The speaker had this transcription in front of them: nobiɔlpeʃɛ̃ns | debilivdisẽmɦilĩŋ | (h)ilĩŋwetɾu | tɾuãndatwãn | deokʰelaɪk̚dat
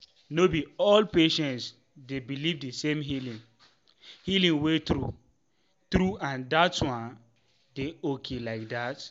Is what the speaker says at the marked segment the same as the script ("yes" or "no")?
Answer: yes